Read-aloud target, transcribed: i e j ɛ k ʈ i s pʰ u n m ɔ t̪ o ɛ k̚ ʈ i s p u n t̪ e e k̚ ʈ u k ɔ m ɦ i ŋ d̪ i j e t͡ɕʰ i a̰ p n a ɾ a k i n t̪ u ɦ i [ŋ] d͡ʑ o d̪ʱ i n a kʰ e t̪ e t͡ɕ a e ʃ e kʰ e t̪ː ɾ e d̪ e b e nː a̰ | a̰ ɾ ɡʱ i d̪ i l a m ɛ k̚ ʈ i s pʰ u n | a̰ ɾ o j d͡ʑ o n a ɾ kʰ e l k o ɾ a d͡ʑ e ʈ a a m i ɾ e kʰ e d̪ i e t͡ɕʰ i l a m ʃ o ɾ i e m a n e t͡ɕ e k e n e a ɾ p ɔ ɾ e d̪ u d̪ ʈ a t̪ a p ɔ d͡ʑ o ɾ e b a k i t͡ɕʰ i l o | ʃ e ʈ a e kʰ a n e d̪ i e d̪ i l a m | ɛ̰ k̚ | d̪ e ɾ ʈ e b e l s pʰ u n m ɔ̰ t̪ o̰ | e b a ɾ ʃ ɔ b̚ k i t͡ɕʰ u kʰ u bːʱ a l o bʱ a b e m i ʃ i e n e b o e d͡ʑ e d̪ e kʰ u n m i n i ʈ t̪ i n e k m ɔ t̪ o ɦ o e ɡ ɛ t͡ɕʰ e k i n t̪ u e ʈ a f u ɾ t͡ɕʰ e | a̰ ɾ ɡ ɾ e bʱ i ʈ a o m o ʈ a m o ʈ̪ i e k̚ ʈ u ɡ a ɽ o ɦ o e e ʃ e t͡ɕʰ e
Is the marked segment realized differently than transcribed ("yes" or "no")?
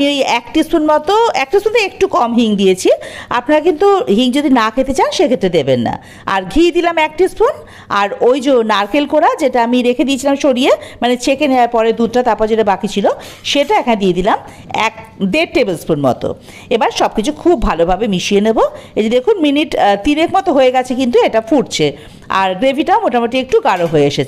no